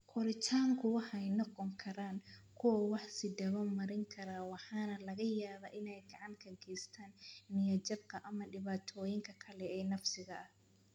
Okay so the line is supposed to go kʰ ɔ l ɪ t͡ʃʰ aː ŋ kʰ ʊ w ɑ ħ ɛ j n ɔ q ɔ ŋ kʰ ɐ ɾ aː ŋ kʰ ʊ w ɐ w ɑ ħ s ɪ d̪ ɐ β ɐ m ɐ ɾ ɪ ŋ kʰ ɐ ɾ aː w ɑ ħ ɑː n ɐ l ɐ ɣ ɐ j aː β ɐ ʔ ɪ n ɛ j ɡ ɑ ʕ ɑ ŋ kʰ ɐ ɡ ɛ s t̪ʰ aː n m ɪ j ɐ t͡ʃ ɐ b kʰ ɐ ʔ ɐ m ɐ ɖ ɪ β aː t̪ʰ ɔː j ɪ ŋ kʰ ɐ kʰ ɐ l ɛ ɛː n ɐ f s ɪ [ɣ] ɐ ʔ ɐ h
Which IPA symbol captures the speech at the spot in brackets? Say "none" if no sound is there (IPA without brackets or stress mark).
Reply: ɣ